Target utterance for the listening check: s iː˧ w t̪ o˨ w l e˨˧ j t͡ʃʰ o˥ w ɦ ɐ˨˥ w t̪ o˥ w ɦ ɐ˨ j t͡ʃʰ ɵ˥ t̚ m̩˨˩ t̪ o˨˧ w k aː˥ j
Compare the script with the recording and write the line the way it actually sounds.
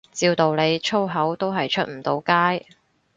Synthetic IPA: t͡s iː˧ w t̪ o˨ w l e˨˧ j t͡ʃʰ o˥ w ɦ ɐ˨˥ w t̪ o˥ w ɦ ɐ˨ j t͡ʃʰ ɵ˥ t̚ m̩˨˩ t̪ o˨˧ w k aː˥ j